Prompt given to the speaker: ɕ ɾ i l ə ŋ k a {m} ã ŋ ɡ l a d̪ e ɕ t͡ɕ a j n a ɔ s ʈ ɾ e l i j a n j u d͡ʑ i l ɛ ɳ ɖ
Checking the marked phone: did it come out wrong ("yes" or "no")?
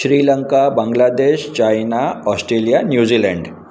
yes